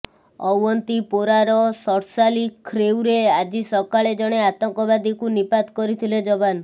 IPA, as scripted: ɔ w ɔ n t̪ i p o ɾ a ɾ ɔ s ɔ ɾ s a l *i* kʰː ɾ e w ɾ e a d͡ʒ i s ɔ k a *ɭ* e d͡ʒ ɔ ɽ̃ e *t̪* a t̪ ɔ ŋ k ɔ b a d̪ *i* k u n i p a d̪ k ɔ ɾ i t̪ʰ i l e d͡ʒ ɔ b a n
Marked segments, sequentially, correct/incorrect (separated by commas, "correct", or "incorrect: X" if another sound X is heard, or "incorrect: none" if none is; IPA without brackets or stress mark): correct, correct, incorrect: none, correct